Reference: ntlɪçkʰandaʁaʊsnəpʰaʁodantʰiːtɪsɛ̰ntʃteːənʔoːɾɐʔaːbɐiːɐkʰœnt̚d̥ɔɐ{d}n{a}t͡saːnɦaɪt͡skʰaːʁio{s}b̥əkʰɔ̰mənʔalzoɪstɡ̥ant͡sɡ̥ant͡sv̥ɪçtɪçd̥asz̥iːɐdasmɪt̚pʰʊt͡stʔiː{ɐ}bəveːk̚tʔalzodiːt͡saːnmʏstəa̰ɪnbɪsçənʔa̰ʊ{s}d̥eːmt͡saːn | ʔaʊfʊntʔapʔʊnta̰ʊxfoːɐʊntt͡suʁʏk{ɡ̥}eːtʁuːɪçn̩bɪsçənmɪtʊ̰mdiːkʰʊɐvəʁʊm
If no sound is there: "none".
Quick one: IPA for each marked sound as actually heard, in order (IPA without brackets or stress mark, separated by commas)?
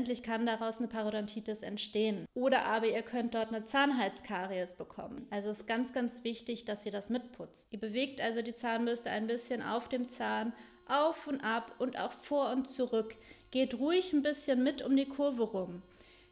t, ə, s, ɐ, f, ɡ̥